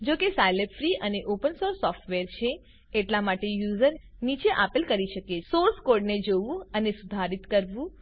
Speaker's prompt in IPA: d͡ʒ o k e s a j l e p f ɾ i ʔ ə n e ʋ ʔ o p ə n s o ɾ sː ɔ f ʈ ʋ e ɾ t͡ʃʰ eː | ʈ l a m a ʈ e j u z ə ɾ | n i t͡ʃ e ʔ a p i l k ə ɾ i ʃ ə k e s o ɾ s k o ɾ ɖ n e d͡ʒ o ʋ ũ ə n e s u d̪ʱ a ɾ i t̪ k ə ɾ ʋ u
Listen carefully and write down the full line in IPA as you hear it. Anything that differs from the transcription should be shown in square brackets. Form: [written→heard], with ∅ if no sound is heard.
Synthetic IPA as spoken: d͡ʒ o k e s a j l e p f ɾ i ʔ ə n e [ʋ→∅] ʔ o p ə n s o ɾ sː ɔ f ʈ ʋ e ɾ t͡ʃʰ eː | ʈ l a m a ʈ e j u z ə ɾ | n i t͡ʃ e ʔ a p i l k ə ɾ i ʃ ə k e s o ɾ s k o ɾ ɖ n e d͡ʒ o ʋ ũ ə n e s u d̪ʱ a ɾ i t̪ k ə ɾ ʋ [u→ũ]